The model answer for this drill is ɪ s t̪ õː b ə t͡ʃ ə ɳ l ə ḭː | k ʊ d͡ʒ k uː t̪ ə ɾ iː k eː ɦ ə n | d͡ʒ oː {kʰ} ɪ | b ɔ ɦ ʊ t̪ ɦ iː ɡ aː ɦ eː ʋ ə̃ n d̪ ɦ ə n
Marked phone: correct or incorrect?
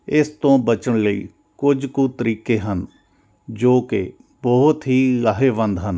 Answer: incorrect